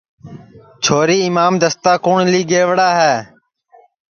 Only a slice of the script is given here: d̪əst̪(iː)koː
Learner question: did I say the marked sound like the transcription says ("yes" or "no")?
no